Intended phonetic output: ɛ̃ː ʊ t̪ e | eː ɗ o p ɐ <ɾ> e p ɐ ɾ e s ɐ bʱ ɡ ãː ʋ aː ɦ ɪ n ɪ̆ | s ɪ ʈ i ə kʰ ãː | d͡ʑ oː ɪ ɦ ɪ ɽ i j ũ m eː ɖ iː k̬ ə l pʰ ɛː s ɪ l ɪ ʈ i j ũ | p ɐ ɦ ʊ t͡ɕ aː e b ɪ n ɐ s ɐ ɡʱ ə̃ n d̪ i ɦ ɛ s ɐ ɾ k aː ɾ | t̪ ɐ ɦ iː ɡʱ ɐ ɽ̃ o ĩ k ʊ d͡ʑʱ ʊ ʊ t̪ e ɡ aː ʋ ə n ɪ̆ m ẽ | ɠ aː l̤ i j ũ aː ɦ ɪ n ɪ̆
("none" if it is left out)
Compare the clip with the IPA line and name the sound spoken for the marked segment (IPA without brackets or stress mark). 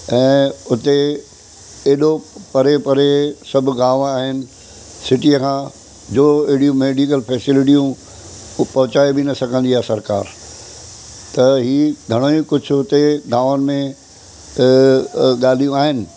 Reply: ɾ